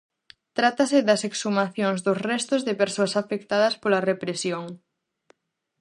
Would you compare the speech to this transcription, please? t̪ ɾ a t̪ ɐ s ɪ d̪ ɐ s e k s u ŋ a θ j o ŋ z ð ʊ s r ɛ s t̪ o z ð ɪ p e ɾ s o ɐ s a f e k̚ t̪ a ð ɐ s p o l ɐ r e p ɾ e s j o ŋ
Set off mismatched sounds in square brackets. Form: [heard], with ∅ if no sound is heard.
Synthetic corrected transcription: t̪ ɾ a t̪ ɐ s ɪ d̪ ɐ s e k s u [m] a θ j o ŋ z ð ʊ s r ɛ s t̪ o z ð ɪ p e ɾ s o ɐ s a f e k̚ t̪ a ð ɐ s p o l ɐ r e p ɾ e s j o ŋ